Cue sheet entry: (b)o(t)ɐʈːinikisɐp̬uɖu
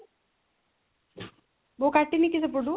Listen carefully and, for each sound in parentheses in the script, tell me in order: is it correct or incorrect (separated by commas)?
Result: correct, incorrect